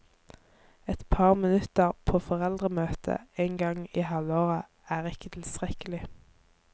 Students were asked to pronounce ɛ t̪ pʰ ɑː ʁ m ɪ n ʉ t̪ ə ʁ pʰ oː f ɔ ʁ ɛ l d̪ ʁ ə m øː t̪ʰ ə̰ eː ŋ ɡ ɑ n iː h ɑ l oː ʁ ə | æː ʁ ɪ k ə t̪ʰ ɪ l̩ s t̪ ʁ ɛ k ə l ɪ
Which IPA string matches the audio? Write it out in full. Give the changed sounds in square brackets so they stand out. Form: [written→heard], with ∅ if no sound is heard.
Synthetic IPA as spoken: ɛ t̪ pʰ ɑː ʁ m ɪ n ʉ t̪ ə ʁ pʰ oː f ɔ ʁ ɛ l d̪ ʁ ə m øː t̪ʰ ə̰ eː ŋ ɡ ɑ [n→ŋ] iː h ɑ l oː ʁ ə | æː ʁ ɪ k ə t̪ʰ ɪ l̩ s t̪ ʁ ɛ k ə l ɪ